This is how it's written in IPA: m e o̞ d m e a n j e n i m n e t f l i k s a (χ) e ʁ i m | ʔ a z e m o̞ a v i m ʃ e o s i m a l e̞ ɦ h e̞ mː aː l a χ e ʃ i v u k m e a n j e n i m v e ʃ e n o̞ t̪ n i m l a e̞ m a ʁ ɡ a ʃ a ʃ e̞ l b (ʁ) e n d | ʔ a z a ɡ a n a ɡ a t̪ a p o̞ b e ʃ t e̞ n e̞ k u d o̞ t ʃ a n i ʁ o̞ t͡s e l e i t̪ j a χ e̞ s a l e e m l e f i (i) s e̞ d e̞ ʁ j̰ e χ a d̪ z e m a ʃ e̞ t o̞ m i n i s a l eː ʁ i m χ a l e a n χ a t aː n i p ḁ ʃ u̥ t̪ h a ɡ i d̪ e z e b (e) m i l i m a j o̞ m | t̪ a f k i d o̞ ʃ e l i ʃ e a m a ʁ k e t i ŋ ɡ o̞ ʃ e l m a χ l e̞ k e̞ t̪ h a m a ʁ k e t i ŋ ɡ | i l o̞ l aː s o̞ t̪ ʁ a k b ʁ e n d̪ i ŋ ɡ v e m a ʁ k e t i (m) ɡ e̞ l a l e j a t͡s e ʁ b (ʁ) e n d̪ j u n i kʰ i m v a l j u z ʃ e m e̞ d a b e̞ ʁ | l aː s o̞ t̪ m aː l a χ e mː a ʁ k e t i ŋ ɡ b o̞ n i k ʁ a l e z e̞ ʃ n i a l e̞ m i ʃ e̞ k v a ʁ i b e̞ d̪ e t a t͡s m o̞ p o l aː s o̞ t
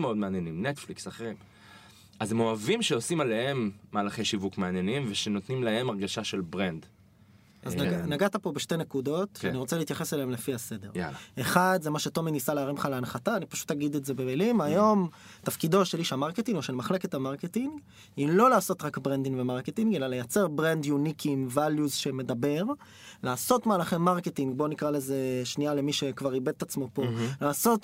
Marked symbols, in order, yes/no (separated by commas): yes, yes, no, yes, no, yes